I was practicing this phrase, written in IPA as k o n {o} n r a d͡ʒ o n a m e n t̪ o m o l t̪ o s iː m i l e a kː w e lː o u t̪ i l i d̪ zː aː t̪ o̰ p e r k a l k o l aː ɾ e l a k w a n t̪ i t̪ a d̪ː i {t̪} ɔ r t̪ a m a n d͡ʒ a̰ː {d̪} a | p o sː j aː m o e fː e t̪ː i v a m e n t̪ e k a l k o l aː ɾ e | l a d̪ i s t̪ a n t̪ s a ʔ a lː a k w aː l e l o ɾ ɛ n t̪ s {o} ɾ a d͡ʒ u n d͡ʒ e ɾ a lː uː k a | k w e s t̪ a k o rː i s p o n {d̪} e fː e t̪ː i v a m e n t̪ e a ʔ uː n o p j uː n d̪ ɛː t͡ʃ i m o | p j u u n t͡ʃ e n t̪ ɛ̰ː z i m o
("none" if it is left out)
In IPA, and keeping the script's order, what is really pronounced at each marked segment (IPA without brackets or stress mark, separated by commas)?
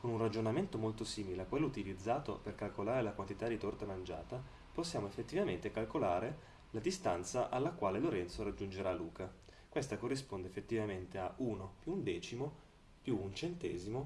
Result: u, t̪, t̪, o, d̪